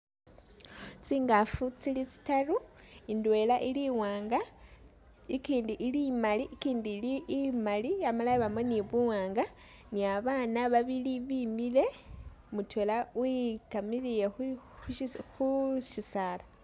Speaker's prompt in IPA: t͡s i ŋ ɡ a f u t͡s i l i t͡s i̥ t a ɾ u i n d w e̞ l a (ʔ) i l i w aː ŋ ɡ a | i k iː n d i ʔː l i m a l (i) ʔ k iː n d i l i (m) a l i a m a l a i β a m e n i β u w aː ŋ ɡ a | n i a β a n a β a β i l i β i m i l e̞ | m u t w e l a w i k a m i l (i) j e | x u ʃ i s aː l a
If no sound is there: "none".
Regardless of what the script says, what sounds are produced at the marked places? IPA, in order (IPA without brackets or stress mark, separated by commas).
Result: ʔ, i, m, i